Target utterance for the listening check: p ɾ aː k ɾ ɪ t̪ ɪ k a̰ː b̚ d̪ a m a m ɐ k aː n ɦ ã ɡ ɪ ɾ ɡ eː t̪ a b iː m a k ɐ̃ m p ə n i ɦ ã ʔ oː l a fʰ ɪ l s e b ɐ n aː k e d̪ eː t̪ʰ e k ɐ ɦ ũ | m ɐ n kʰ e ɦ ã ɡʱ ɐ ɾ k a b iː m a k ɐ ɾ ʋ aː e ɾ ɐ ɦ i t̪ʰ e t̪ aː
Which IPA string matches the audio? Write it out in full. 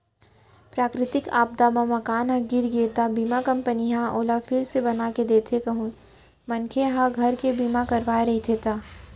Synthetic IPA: p ɾ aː k ɾ ɪ t̪ ɪ k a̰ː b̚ d̪ a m a m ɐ k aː n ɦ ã ɡ ɪ ɾ ɡ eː t̪ a b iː m a k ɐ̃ m p ə n i ɦ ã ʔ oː l a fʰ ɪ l s e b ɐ n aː k e d̪ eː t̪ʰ e k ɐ ɦ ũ | m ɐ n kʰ e ɦ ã ɡʱ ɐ ɾ k e b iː m a k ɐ ɾ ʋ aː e ɾ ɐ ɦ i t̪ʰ e t̪ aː